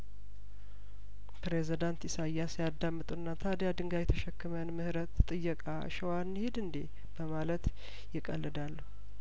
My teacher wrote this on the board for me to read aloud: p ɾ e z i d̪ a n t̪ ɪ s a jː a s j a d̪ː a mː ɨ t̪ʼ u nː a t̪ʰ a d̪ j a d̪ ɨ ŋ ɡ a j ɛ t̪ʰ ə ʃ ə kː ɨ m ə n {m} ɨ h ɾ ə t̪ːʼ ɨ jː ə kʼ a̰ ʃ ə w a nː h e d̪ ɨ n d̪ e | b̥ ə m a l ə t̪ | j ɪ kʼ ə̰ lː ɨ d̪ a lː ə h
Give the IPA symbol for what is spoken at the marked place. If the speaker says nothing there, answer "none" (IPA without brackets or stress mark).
m